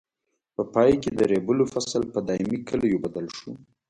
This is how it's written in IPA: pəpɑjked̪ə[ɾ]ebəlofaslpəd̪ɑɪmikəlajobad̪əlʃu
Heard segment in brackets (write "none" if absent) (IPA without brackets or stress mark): ɾ